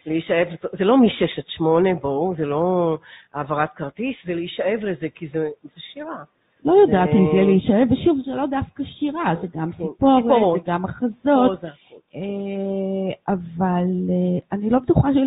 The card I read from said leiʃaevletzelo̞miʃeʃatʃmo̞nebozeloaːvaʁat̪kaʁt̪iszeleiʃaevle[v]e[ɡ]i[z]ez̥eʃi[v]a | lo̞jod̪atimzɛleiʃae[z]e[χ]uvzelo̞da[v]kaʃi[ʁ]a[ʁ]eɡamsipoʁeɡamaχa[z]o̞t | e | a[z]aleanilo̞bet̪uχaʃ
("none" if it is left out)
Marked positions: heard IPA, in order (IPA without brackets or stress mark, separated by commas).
z, k, z, ʁ, v, ʃ, f, ʁ, z, z, v